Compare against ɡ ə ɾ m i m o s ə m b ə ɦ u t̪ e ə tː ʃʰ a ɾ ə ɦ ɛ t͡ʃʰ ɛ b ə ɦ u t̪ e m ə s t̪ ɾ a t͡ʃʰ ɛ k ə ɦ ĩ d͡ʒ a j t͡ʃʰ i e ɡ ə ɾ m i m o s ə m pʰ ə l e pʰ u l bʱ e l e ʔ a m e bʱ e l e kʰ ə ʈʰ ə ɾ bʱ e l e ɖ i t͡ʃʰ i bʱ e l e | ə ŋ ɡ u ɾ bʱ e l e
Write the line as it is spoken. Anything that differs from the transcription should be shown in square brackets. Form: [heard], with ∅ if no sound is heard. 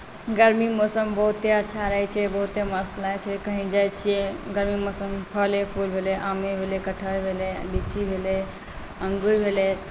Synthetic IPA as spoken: ɡ ə ɾ m i m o s ə m b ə ɦ u t̪ e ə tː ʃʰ a ɾ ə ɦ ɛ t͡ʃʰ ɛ b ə ɦ u t̪ e m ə s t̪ [l] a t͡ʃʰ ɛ k ə ɦ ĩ d͡ʒ a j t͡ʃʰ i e ɡ ə ɾ m i m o s ə m pʰ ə l e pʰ u l bʱ e l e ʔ a m e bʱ e l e [k] ə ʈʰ ə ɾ bʱ e l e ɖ i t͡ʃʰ i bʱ e l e | ə ŋ ɡ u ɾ bʱ e l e